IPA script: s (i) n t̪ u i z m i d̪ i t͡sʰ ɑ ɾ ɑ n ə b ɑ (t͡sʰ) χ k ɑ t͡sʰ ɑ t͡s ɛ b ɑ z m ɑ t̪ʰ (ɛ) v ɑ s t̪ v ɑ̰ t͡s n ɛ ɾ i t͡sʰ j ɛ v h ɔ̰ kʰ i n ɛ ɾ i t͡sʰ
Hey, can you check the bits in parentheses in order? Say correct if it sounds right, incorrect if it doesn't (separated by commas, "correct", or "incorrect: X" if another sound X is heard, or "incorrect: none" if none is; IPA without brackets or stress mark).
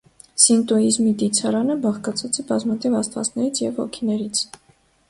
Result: correct, incorrect: none, incorrect: i